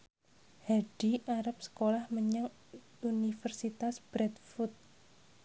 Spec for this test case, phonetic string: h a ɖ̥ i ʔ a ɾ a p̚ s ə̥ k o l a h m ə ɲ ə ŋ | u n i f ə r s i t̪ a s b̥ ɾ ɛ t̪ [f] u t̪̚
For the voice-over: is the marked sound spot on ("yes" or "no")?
yes